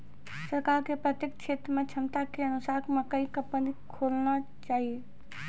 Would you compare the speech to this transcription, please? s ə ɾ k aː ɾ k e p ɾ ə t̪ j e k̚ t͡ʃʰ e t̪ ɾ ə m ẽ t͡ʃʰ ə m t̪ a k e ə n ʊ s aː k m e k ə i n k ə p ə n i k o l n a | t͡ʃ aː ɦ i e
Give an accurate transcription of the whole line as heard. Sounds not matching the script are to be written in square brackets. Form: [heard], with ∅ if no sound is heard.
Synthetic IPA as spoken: s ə ɾ k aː ɾ k e p ɾ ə t̪ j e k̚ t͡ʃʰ e t̪ ɾ ə m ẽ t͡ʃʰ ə m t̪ a k e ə n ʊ s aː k m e k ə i [∅] k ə p ə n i [kʰ] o l n a | t͡ʃ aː ɦ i e